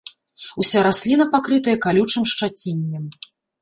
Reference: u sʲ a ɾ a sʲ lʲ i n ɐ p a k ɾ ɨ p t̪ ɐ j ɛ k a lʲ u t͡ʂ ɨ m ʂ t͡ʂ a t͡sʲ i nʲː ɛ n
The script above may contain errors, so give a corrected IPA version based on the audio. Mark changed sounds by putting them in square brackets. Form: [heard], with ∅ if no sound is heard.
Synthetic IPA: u sʲ a ɾ a sʲ lʲ i n ɐ p a k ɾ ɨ [∅] t̪ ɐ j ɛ k a lʲ u t͡ʂ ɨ m ʂ t͡ʂ a t͡sʲ i nʲː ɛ [m]